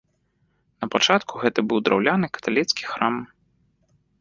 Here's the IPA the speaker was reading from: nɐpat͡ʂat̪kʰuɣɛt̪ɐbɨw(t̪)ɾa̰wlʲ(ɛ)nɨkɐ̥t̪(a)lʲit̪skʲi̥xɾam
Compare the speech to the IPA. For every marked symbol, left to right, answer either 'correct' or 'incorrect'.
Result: incorrect, incorrect, correct

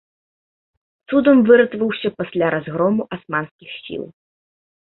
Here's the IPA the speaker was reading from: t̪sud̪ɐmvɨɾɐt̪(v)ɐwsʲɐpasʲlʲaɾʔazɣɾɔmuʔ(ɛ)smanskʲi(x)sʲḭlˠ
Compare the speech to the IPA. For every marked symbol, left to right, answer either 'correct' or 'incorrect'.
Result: correct, incorrect, correct

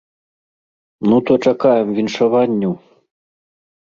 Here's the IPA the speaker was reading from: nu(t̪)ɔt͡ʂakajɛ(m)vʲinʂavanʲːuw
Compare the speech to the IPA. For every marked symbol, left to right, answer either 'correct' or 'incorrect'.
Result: correct, correct

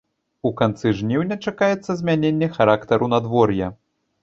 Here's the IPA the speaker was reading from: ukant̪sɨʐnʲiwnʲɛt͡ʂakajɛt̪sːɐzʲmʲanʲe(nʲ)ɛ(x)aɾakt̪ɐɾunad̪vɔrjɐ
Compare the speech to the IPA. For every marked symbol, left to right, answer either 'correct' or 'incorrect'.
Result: incorrect, correct

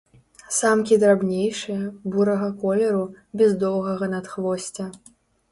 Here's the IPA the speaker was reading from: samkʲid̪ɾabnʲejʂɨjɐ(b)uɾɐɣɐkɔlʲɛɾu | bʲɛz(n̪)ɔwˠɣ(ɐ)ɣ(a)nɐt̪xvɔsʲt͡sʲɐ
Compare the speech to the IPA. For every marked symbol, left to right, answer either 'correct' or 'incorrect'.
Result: correct, incorrect, correct, incorrect

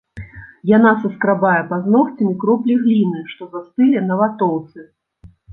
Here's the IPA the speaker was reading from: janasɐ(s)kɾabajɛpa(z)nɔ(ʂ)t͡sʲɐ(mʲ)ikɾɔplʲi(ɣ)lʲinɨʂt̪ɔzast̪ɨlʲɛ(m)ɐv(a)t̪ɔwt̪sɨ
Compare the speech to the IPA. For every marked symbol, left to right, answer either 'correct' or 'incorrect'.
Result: correct, correct, incorrect, correct, correct, incorrect, correct

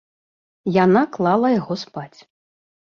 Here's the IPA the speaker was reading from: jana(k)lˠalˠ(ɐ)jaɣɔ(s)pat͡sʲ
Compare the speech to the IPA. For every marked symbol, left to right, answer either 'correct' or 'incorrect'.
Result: correct, correct, correct

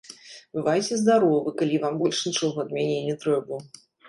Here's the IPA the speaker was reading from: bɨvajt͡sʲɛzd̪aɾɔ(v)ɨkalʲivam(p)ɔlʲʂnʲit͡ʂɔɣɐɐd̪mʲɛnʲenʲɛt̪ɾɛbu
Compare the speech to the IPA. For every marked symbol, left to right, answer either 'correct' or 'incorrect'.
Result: correct, incorrect

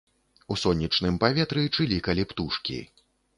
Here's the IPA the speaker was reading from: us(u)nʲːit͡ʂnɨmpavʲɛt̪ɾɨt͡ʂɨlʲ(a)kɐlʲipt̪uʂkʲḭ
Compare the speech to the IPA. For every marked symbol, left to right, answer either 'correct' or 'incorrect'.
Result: incorrect, incorrect

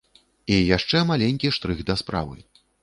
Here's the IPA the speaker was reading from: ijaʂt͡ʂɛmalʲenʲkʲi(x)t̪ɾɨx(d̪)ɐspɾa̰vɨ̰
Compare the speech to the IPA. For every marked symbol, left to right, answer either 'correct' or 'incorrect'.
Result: incorrect, correct

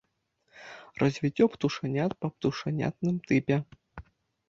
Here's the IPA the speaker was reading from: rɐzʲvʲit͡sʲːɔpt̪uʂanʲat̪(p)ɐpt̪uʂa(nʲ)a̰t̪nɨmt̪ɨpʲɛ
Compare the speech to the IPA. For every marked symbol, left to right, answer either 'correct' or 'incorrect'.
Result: correct, correct

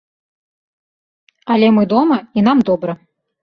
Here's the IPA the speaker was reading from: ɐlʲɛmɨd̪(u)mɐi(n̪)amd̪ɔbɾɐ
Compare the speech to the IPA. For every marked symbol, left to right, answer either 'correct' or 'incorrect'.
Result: incorrect, correct

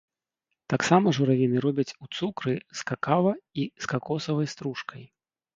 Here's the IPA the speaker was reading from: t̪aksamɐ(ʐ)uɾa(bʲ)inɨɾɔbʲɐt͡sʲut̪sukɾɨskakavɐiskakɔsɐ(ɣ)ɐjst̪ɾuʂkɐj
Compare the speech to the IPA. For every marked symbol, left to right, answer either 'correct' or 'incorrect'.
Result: correct, incorrect, incorrect

